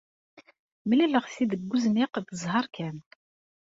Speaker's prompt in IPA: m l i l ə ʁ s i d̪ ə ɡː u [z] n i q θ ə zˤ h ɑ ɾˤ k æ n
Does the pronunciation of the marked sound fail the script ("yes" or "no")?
no